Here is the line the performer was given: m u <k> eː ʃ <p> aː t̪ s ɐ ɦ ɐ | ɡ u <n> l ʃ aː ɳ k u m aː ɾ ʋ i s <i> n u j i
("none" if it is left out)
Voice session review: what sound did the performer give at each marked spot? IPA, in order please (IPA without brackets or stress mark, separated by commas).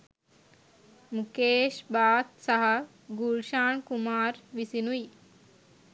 k, b, none, i